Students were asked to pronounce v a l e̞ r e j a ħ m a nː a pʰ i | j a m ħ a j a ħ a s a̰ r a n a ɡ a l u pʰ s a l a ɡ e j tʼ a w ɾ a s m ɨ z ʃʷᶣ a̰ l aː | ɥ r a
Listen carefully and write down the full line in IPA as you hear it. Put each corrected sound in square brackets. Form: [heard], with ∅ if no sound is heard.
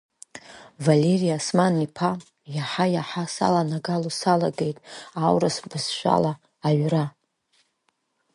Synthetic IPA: v a l e̞ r [i] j a [s] m a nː [i] pʰ [a] | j a [∅] ħ a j a ħ a s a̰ [l] a n a ɡ a l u [∅] s a l a ɡ e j tʼ a w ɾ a s [b] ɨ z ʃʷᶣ a̰ l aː | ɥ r a